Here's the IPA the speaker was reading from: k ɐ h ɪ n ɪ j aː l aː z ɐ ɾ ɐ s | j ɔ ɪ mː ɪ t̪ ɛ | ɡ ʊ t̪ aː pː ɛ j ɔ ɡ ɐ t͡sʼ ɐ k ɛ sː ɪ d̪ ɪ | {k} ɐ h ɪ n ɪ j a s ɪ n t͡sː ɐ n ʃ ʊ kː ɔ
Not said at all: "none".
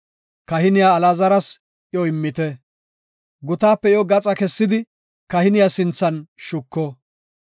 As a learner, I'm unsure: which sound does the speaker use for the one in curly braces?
k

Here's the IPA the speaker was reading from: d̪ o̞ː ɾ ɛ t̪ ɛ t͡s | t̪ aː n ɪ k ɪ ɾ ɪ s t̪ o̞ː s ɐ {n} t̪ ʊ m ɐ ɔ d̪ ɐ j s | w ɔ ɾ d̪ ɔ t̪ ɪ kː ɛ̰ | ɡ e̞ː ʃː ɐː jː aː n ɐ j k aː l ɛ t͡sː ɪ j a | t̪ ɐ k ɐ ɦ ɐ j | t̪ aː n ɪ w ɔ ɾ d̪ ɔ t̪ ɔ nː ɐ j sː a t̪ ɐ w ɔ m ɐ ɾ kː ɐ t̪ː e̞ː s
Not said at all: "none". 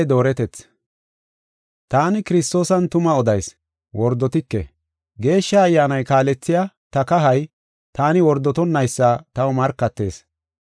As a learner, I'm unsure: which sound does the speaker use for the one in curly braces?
n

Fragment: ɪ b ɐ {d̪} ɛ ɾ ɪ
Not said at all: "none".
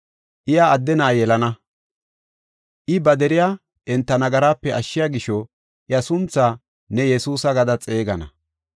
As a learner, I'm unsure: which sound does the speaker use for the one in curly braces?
d̪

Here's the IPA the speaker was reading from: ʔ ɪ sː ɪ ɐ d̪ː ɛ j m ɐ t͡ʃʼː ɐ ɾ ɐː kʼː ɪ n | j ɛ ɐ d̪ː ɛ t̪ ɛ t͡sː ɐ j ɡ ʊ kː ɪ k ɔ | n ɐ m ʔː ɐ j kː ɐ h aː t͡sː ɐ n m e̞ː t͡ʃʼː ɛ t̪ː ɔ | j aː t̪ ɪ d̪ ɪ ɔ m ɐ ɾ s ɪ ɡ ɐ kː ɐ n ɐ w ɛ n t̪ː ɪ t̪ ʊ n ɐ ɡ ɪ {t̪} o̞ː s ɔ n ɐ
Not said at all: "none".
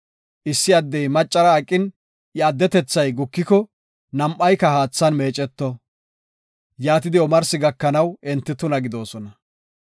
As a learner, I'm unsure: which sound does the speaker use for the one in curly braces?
d̪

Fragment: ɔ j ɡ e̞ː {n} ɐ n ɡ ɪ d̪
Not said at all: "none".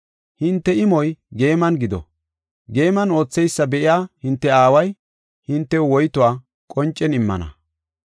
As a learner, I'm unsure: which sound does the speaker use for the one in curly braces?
m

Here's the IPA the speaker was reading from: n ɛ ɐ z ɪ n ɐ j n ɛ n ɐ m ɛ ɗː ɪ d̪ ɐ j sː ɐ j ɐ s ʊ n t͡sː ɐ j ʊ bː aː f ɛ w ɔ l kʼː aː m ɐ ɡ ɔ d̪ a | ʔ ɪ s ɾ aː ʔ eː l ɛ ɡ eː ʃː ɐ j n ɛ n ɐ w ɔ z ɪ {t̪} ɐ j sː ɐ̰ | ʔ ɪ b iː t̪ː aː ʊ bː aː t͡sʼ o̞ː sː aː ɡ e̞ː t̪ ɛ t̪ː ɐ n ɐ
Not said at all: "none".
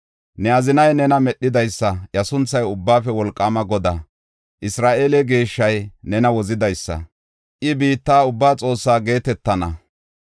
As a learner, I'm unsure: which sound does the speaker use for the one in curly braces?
d̪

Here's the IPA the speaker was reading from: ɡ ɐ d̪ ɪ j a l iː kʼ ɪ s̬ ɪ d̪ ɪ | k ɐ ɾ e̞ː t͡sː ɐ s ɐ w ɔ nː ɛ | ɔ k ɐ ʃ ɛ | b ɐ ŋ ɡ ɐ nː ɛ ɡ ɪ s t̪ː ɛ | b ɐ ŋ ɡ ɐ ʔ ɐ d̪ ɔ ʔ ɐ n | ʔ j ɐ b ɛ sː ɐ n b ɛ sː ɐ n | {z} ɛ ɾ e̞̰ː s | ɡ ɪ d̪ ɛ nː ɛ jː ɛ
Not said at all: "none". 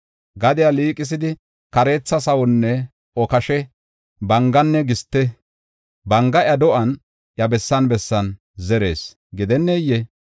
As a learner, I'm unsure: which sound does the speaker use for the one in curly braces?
z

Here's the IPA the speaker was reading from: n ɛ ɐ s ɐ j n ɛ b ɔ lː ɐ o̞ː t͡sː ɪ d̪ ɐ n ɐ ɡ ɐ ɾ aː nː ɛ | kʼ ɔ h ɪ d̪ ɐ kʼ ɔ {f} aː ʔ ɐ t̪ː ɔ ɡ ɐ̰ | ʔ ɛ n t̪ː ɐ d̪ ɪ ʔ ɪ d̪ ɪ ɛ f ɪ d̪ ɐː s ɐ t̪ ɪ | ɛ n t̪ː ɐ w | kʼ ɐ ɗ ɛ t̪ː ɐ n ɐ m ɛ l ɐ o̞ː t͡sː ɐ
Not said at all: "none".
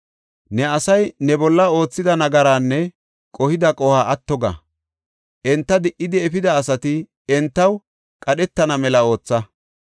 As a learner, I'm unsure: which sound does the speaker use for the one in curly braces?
h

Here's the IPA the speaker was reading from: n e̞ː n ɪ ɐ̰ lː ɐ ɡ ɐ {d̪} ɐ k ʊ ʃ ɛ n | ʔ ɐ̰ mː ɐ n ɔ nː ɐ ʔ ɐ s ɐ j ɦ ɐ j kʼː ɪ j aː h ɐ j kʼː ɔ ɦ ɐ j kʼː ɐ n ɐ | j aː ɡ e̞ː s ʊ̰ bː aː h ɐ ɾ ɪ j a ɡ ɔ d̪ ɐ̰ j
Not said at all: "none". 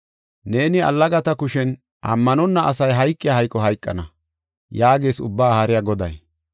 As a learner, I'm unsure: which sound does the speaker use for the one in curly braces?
t̪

